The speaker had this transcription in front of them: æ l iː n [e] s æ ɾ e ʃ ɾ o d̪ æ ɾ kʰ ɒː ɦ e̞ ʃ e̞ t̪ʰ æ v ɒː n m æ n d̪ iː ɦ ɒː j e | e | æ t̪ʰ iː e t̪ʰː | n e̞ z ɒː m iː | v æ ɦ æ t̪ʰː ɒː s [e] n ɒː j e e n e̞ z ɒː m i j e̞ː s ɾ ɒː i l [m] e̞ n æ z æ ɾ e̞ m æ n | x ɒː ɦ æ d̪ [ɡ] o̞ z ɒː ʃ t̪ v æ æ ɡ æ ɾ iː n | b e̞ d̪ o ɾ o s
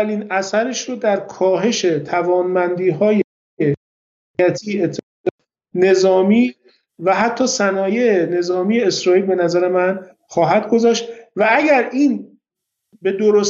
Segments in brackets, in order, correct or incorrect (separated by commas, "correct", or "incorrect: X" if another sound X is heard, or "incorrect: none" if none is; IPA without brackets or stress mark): incorrect: æ, incorrect: æ, incorrect: b, correct